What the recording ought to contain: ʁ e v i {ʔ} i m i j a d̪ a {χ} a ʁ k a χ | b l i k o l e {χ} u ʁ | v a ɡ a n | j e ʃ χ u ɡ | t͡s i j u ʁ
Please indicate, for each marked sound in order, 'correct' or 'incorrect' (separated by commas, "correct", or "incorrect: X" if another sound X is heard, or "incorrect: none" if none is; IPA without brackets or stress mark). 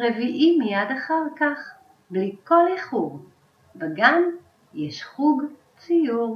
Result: correct, correct, correct